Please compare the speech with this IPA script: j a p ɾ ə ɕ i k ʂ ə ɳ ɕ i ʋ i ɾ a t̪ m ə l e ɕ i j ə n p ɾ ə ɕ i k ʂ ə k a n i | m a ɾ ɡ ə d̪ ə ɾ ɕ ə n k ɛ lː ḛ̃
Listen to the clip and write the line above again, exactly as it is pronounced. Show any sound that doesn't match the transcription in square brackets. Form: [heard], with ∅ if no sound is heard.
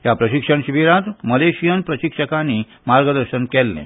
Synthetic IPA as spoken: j a p ɾ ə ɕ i k ʂ ə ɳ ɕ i ʋ i ɾ a t̪ m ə l e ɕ i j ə n p ɾ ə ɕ i k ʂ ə k a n i | m a ɾ ɡ ə d̪ ə ɾ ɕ ə n k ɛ lː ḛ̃